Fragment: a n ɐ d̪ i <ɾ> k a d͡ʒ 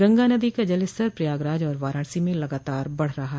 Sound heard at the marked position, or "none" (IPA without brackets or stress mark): none